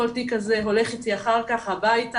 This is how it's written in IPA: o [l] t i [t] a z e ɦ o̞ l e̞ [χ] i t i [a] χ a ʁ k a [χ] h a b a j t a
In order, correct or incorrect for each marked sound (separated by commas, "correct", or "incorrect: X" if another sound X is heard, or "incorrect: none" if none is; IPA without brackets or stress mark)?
correct, incorrect: k, correct, correct, correct